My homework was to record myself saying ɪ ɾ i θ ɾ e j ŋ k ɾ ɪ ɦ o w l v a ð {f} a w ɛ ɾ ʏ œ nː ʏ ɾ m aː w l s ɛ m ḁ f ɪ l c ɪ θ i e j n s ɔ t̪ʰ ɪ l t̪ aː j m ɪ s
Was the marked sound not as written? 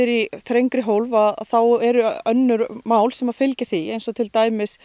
yes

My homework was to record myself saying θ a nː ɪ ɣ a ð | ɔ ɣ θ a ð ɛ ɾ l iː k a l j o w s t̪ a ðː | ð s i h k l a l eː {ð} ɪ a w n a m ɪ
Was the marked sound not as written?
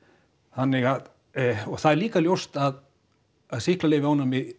yes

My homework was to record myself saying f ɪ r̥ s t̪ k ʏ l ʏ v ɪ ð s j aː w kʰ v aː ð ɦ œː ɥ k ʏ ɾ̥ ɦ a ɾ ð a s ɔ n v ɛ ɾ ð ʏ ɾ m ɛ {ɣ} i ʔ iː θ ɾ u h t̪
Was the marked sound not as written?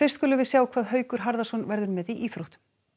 yes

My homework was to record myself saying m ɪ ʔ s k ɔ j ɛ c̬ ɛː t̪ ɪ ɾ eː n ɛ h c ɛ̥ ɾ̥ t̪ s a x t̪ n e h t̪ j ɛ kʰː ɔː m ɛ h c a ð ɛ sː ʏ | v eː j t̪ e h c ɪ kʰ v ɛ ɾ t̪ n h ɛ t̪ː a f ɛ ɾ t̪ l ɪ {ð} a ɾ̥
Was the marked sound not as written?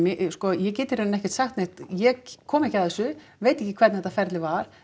yes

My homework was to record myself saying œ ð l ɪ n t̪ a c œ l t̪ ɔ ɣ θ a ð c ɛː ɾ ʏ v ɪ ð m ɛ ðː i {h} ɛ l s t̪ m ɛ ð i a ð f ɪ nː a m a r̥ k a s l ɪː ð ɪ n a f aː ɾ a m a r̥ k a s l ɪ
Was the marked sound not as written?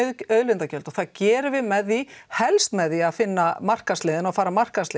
no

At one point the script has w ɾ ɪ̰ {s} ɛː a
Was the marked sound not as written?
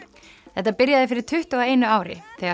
yes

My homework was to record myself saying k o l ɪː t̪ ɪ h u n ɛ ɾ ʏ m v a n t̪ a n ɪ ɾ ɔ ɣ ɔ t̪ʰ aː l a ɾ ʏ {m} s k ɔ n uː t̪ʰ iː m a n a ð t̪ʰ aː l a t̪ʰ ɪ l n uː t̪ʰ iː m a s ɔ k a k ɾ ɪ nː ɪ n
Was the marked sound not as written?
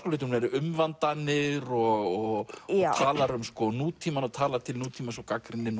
no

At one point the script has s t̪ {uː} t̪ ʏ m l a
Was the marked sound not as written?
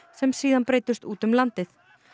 no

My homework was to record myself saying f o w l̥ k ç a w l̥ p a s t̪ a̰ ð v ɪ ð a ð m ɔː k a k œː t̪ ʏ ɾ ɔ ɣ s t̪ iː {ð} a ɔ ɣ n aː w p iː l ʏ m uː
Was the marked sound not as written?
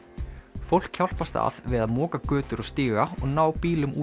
yes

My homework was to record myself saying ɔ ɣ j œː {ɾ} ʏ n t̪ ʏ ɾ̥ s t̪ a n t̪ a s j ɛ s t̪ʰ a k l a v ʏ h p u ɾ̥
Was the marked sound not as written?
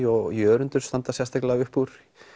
no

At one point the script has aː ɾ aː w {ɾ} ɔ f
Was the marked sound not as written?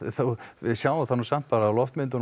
yes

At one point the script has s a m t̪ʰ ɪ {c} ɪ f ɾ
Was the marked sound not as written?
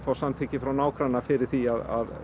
no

